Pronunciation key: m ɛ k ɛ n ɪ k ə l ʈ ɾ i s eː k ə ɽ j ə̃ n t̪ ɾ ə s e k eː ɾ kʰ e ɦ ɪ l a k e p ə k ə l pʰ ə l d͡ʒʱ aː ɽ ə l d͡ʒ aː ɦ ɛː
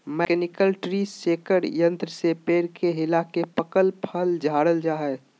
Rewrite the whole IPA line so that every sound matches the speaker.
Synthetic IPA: m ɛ k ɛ n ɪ k ə l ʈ ɾ i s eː k ə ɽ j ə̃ n t̪ ɾ ə s e p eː ɾ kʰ e ɦ ɪ l a k e p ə k ə l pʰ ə l d͡ʒʱ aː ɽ ə l d͡ʒ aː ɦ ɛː